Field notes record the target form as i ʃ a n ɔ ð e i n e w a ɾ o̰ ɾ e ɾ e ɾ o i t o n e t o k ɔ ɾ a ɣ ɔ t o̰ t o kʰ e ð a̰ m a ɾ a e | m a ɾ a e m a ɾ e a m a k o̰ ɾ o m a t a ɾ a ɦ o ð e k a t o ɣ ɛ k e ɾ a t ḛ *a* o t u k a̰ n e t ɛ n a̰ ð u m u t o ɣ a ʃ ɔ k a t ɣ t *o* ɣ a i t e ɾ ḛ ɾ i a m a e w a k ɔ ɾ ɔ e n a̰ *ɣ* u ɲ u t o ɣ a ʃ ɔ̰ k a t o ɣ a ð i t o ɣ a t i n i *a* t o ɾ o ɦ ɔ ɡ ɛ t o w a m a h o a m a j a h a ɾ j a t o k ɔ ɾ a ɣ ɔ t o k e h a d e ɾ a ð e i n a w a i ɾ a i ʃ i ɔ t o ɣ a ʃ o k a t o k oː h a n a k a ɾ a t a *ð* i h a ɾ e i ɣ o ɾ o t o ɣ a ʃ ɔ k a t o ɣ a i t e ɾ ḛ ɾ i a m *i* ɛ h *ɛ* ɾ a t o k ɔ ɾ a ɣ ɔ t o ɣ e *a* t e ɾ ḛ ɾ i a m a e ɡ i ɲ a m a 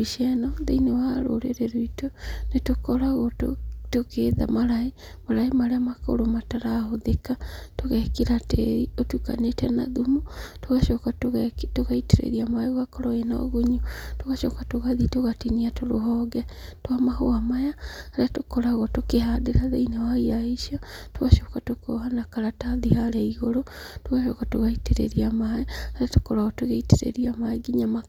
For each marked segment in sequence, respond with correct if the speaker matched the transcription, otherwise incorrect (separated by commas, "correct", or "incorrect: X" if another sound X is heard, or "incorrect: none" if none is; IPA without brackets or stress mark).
incorrect: i, correct, correct, correct, correct, incorrect: a, incorrect: a, incorrect: i